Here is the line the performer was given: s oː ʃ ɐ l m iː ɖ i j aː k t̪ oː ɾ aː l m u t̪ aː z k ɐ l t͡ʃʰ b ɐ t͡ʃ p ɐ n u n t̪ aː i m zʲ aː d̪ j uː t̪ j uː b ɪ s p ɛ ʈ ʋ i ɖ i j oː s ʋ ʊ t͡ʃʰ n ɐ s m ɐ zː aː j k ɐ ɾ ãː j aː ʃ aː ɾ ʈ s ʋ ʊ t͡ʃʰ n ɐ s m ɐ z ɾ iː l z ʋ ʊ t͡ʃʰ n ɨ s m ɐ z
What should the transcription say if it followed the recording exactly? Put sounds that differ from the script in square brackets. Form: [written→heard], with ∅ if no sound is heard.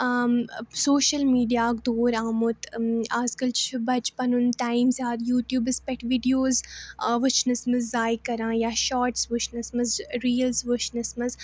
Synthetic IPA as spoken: s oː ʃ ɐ l m iː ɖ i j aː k [t̪→d̪] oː ɾ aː [l→∅] m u t̪ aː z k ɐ l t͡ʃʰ b ɐ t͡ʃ p ɐ n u n t̪ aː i m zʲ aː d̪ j uː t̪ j uː b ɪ s p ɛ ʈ ʋ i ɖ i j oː [s→z] ʋ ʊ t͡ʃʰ n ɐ s m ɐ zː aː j k ɐ ɾ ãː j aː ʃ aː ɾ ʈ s ʋ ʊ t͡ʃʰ n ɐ s m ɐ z ɾ iː l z ʋ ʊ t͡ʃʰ n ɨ s m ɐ z

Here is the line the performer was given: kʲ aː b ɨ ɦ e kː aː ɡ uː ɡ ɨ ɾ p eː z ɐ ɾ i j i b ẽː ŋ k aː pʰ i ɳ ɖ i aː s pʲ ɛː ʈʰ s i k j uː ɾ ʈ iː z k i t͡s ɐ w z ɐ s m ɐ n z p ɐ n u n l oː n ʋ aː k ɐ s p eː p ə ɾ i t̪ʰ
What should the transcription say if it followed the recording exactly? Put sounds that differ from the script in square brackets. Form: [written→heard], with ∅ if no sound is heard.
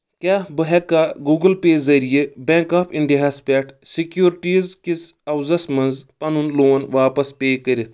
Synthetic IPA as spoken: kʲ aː b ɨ ɦ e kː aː ɡ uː ɡ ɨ [ɾ→l] p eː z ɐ ɾ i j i b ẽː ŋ k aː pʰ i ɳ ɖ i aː s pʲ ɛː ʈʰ s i k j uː ɾ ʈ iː z k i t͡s ɐ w z ɐ s m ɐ n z p ɐ n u n l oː n ʋ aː [k→p] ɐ s p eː [p→k] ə ɾ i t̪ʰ

